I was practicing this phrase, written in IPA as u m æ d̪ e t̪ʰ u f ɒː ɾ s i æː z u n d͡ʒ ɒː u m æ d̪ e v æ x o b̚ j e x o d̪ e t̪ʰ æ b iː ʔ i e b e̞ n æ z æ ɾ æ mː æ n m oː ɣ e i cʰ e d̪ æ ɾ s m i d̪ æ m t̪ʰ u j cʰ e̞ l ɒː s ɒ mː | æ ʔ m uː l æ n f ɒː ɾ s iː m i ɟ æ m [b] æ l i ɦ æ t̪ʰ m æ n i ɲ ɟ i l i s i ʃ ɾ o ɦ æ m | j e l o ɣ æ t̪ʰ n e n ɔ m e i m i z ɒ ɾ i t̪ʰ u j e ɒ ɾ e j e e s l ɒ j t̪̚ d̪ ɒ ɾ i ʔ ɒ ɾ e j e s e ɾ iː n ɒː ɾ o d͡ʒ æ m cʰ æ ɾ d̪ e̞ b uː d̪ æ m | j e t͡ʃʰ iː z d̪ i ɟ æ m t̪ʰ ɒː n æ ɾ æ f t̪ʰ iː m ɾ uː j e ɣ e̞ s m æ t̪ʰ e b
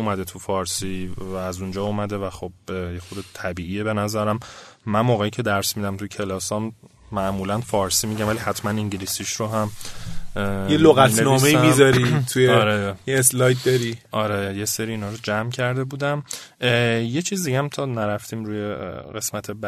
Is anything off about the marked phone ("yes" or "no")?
yes